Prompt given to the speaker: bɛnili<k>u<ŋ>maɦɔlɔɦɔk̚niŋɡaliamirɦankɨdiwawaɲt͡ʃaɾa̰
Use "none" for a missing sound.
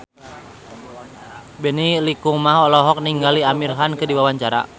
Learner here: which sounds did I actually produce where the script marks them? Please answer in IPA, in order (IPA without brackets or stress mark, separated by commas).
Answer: k, ŋ